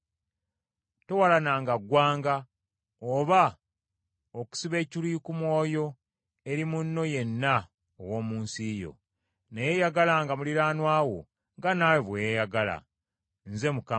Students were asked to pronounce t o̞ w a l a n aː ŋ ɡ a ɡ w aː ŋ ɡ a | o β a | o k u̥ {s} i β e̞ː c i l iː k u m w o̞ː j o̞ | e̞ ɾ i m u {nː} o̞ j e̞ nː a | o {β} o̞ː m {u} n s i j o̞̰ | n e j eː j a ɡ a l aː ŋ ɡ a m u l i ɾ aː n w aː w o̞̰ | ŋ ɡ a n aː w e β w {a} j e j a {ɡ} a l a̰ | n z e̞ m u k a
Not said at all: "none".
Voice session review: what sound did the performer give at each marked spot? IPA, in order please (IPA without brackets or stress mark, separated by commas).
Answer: s, nː, w, uː, e, ɡ